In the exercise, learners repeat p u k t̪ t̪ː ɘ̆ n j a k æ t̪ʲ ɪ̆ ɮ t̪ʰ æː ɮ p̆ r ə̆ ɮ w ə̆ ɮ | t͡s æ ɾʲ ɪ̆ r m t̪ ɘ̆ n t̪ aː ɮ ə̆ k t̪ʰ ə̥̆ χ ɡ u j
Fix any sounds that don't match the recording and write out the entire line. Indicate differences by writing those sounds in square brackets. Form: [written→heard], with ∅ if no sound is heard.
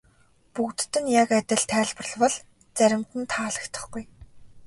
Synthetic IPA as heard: p u k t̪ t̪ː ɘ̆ n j a k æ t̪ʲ ɪ̆ ɮ t̪ʰ æː ɮ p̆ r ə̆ ɮ w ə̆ ɮ | t͡s æ ɾʲ ɪ̆ [r→∅] m t̪ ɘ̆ n [t̪→t̪ʰ] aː ɮ ə̆ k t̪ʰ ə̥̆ χ ɡ u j